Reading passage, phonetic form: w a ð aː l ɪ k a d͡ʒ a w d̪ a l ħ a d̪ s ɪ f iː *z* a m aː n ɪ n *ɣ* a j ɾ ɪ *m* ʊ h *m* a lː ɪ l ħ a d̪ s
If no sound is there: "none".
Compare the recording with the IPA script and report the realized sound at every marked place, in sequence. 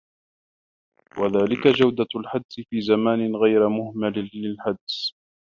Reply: z, ɣ, m, m

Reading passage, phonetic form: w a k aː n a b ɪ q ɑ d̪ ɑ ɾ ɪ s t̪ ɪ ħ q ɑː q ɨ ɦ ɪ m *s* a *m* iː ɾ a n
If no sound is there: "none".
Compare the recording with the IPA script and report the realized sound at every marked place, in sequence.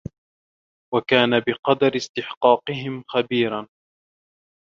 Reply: x, b

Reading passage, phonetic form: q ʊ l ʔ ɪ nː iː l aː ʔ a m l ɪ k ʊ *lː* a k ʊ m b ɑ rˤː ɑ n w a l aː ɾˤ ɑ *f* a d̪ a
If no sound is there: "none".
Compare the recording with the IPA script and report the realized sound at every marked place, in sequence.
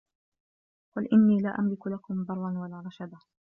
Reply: l, ʃ

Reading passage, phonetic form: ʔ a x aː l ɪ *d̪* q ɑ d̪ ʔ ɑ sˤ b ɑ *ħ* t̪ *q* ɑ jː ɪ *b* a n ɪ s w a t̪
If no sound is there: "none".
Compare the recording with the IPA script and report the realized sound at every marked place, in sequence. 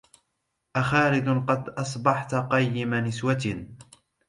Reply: d̪, ħ, q, m

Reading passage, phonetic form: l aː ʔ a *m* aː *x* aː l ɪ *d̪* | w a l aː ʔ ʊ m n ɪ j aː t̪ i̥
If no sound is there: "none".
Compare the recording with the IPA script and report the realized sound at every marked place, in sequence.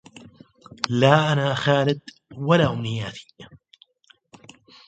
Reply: n, x, d̪

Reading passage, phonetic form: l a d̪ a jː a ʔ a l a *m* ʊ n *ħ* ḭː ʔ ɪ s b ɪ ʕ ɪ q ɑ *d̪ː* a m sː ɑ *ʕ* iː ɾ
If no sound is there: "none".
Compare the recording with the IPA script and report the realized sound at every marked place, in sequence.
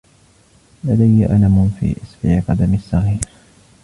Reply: m, f, d̪, ɣ

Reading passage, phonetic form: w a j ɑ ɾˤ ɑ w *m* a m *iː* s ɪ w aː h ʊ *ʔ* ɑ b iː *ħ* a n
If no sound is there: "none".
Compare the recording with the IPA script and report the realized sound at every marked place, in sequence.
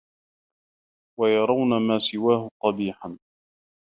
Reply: n, aː, q, ħ

